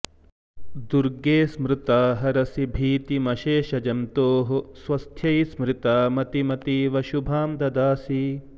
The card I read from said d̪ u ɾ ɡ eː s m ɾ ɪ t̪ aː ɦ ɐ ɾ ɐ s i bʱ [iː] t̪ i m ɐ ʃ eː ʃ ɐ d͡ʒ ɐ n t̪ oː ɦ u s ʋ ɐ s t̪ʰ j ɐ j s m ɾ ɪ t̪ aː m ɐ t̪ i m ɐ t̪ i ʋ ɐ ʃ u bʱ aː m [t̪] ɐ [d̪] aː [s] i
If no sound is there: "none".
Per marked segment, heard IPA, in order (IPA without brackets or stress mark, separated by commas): iː, d̪, d̪, s